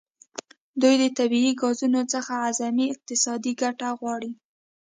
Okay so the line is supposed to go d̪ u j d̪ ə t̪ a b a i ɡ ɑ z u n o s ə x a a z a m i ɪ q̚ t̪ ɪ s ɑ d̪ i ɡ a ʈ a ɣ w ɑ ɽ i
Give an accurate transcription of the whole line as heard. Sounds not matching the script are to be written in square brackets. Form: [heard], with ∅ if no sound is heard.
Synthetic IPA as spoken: d̪ u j d̪ ə t̪ a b [i] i ɡ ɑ z u n o [t͡s] ə x a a z a m i ɪ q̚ t̪ ɪ s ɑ d̪ i ɡ a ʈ a ɣ w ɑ ɽ i